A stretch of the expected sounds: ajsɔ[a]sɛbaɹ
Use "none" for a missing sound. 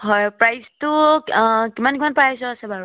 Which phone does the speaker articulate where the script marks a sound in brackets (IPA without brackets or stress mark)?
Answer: a